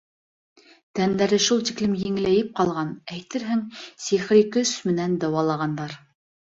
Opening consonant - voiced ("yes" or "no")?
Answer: no